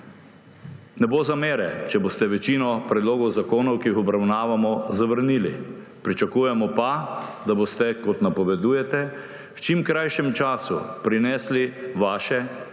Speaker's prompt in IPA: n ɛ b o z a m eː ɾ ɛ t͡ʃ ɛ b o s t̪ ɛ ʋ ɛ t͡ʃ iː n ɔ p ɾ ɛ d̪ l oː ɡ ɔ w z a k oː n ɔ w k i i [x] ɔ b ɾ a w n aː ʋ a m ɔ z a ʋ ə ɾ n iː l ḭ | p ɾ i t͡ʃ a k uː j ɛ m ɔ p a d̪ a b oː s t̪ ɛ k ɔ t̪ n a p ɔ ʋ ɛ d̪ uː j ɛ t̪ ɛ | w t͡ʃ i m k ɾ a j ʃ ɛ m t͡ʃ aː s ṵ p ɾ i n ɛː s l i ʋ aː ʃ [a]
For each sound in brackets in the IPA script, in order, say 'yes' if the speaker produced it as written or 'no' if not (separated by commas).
yes, no